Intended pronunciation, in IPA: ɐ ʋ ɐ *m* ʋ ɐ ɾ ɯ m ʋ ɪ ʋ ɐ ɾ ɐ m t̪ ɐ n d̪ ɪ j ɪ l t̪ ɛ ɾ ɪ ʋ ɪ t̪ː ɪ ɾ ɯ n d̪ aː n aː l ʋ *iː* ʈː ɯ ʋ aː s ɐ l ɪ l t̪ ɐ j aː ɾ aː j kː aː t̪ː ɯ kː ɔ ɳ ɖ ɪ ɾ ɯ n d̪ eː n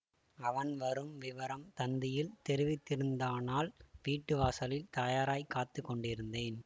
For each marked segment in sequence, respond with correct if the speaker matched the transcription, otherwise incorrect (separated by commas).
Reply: incorrect, correct